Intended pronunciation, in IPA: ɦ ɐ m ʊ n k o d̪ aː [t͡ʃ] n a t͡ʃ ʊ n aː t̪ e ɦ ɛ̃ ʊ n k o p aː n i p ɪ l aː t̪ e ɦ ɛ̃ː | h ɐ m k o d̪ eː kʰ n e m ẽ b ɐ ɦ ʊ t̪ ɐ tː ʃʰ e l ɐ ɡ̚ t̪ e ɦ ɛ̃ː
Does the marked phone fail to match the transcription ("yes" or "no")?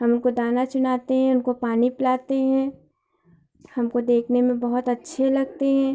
yes